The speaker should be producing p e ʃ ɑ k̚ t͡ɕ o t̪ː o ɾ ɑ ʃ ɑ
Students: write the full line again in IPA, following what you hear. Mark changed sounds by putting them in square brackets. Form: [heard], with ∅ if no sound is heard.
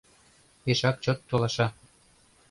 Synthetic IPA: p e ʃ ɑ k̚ t͡ɕ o t̪ː o [l] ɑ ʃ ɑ